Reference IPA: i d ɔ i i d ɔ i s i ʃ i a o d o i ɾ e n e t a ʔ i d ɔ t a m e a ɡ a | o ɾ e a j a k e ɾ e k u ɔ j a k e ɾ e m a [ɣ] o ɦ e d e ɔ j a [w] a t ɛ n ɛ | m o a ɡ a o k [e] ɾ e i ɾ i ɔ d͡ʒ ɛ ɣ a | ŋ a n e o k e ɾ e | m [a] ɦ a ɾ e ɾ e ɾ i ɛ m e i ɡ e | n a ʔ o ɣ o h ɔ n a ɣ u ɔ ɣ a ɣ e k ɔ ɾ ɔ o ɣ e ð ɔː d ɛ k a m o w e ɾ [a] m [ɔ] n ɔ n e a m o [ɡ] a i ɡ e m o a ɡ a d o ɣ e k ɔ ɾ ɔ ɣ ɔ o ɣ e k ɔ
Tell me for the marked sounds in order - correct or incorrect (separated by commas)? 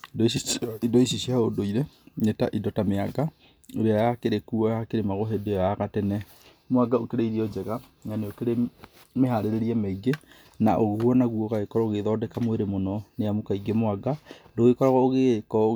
correct, incorrect, correct, incorrect, incorrect, incorrect, incorrect